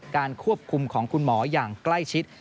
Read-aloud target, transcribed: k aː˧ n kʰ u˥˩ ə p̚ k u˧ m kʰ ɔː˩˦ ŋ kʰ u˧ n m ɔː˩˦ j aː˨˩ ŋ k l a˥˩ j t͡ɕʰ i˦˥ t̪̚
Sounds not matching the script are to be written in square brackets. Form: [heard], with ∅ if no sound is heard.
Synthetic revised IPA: k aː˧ n kʰ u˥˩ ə p̚ [kʰ] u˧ m kʰ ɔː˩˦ ŋ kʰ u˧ n m ɔː˩˦ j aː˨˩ ŋ k l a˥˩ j t͡ɕʰ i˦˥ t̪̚

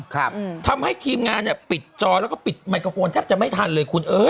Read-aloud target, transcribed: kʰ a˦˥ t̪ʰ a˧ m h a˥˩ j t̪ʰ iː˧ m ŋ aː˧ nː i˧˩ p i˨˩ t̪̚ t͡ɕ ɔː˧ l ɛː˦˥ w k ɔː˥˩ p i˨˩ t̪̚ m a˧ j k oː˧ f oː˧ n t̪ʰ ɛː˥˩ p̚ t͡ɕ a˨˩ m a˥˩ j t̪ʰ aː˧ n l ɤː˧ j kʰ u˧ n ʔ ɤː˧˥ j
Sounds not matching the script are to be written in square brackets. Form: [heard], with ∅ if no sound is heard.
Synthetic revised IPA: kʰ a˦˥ t̪ʰ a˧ m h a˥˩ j t̪ʰ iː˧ m ŋ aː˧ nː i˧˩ p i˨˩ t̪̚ t͡ɕ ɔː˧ l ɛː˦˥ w k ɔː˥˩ p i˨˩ t̪̚ m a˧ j k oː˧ f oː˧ n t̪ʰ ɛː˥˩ p̚ t͡ɕ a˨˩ m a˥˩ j t̪ʰ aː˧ n l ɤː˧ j kʰ u˧ n ʔ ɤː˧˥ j

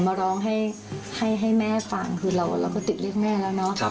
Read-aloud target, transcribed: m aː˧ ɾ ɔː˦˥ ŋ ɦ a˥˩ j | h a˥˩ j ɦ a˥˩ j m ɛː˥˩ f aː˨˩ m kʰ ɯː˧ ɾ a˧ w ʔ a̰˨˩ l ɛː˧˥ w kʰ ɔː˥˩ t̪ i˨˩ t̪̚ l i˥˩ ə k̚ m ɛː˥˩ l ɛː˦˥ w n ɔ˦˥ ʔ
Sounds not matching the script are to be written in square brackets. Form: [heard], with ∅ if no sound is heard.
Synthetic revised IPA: m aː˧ ɾ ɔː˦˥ ŋ ɦ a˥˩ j | h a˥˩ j ɦ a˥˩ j m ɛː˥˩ f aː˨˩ [ŋ] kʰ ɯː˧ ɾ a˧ w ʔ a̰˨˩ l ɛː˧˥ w [k] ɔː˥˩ t̪ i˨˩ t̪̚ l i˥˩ ə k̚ m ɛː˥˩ l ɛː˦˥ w n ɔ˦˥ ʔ

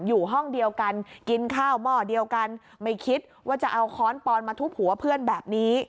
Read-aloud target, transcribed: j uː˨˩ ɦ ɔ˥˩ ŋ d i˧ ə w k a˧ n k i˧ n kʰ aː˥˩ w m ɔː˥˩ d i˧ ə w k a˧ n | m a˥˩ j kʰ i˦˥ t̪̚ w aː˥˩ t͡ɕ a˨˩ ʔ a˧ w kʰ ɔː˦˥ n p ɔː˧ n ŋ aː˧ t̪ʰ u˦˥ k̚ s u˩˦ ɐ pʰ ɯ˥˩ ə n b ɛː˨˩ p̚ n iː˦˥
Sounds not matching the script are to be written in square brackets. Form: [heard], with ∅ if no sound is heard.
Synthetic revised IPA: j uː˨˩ ɦ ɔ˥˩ ŋ d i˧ ə w k a˧ n k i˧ n kʰ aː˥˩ w m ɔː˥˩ d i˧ ə w k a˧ n | m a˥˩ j kʰ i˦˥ t̪̚ w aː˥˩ t͡ɕ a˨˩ ʔ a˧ w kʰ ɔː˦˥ n p ɔː˧ n [m] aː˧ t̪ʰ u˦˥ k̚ [h] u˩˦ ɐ pʰ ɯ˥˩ ə n b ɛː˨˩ p̚ n iː˦˥

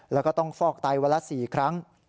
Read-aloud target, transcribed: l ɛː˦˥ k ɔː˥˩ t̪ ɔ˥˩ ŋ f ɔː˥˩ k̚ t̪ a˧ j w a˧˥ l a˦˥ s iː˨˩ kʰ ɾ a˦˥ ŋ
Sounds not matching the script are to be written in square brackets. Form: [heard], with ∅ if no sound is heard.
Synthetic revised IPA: l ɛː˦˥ k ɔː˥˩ t̪ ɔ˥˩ ŋ f ɔː˥˩ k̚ t̪ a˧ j w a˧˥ l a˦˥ s iː˨˩ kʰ ɾ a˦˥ ŋ

